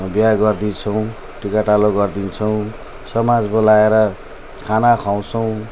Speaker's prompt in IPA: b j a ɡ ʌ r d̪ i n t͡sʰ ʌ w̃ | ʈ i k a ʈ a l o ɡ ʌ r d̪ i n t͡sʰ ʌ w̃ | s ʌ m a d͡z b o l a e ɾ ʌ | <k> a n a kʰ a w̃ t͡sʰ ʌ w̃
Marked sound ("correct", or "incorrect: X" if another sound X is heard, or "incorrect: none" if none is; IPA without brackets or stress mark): incorrect: kʰ